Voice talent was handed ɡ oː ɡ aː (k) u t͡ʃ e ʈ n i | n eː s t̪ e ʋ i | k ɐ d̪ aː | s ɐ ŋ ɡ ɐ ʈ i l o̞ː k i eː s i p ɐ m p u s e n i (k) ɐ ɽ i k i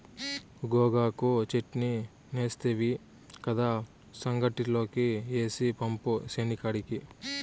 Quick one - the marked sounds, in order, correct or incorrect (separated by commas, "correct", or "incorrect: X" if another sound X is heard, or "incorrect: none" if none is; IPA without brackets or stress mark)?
correct, correct